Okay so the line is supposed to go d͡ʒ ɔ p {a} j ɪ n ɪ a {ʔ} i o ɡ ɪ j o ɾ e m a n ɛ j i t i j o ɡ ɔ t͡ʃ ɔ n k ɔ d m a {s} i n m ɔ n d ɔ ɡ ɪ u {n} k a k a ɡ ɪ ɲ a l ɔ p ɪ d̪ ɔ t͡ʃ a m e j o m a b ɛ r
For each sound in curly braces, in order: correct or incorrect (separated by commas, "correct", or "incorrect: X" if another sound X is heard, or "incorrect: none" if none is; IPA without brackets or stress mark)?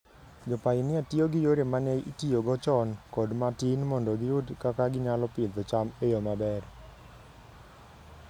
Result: correct, incorrect: t, incorrect: t, incorrect: d